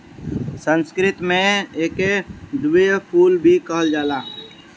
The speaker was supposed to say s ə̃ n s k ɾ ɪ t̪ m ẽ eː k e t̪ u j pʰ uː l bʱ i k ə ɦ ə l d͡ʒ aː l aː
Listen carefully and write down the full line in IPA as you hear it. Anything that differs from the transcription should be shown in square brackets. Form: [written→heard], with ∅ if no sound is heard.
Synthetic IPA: s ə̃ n s k ɾ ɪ t̪ m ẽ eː k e [t̪→d̪] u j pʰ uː l bʱ i k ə ɦ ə l d͡ʒ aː l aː